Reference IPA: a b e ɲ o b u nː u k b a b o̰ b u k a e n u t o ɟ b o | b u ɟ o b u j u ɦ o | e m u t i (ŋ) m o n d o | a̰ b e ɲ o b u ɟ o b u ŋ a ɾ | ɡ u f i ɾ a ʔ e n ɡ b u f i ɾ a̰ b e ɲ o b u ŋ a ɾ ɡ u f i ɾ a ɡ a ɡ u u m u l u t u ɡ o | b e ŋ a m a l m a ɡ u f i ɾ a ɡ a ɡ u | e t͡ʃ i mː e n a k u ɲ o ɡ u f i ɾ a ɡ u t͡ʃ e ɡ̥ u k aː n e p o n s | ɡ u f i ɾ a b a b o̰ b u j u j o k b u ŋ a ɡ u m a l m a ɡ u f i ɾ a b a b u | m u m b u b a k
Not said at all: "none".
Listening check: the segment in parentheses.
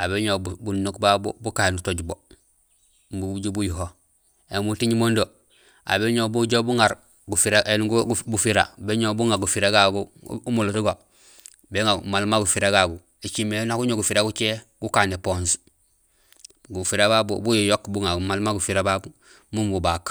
ɲ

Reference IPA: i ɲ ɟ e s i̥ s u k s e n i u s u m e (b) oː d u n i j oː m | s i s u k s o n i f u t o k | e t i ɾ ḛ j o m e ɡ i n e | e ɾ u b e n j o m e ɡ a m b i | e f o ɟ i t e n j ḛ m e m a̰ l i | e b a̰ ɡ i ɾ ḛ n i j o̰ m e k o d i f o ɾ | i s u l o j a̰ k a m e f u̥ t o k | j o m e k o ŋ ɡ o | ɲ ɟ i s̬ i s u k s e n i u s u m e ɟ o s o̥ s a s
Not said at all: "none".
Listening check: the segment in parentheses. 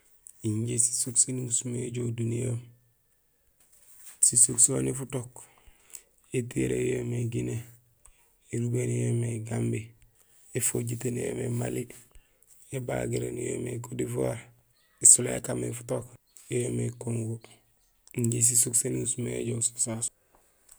ɟ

